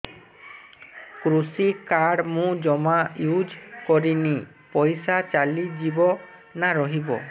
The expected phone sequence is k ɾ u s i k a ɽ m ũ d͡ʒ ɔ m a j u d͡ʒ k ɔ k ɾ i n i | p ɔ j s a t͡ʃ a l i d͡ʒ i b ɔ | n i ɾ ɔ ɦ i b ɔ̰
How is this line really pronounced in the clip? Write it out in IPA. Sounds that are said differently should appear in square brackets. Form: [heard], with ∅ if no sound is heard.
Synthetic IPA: k ɾ u s i k a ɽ m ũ d͡ʒ ɔ m a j u d͡ʒ k ɔ [∅] ɾ i n i | p ɔ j s a t͡ʃ a l i d͡ʒ i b ɔ | n [a] ɾ ɔ ɦ i b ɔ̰